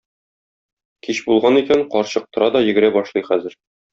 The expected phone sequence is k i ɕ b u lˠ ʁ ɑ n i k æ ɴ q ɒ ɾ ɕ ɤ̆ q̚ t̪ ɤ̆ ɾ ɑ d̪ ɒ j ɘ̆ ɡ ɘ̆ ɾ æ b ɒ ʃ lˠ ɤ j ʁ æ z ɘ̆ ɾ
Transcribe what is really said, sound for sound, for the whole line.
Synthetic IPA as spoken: k i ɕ b u lˠ ʁ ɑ n i k æ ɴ q ɒ ɾ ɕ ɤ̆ q̚ t̪ ɤ̆ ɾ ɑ d̪ ɒ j ɘ̆ ɡ ɘ̆ ɾ æ b ɒ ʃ lˠ ɤ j χ æ z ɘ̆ ɾ